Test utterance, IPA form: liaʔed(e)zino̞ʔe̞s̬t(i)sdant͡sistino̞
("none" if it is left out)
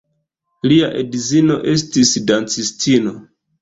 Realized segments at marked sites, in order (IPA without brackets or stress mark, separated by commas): i, i